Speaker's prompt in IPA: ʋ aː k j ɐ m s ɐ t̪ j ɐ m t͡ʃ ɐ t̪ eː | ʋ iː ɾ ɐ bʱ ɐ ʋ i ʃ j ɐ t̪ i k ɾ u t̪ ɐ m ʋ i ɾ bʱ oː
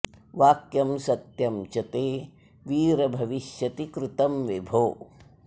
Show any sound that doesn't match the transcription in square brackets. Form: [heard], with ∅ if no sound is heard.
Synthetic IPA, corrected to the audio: ʋ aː k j ɐ m s ɐ t̪ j ɐ m t͡ʃ ɐ t̪ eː | ʋ iː ɾ ɐ bʱ ɐ ʋ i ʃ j ɐ t̪ i k ɾ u t̪ ɐ m ʋ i [∅] bʱ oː

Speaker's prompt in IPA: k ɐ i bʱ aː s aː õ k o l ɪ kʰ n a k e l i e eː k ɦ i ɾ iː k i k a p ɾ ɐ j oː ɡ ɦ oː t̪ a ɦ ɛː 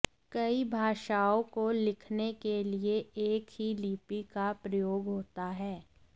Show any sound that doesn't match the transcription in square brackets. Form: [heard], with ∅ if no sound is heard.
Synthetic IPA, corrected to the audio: k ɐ i bʱ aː [ʃ] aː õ k o l ɪ kʰ n [e] k e l i e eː k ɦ i [l] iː [p] i k a p ɾ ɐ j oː ɡ ɦ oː t̪ a ɦ ɛː

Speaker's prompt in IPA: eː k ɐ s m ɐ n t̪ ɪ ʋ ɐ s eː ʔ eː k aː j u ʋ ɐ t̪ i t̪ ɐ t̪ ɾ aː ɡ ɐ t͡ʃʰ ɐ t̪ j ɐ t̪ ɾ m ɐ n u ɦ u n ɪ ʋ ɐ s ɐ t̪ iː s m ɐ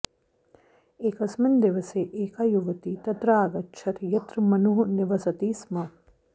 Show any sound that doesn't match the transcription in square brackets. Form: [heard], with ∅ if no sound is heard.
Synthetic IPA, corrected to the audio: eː k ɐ s m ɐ n [d̪] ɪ ʋ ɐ s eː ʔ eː k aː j u ʋ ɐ t̪ i t̪ ɐ t̪ ɾ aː ɡ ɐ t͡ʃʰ ɐ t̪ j ɐ t̪ ɾ m ɐ n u ɦ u n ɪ ʋ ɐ s ɐ t̪ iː s m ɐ

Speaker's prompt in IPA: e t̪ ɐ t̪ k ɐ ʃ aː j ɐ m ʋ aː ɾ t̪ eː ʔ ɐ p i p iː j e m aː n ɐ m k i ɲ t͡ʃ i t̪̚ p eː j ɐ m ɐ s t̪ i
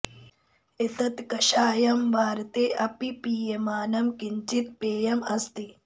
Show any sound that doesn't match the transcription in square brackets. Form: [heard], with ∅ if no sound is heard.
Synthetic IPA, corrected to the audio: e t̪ ɐ t̪ k ɐ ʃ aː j ɐ m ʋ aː ɾ t̪ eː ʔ ɐ p i p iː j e m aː n ɐ m k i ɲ t͡ʃ i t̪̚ p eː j ɐ m ɐ s t̪ i

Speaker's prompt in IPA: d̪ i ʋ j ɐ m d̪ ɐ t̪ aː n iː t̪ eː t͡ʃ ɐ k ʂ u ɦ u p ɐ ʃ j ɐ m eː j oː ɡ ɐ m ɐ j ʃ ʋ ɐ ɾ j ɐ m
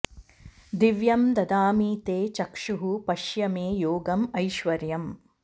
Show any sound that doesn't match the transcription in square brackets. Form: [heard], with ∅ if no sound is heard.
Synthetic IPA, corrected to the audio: d̪ i ʋ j ɐ m d̪ ɐ [d̪] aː [m] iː t̪ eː t͡ʃ ɐ k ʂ u ɦ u p ɐ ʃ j ɐ m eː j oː ɡ ɐ m ɐ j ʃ ʋ ɐ ɾ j ɐ m

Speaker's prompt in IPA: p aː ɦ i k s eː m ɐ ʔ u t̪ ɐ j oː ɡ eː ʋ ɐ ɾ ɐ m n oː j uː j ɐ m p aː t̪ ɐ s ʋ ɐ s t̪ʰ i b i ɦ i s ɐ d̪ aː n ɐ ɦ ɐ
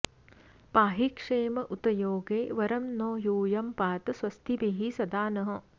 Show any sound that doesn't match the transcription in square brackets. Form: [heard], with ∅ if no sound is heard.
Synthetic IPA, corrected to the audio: p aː ɦ i k [ʂ] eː m ɐ ʔ u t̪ ɐ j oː ɡ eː ʋ ɐ ɾ ɐ m n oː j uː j ɐ m p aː t̪ ɐ s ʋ ɐ s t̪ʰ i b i ɦ i s ɐ d̪ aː n ɐ ɦ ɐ

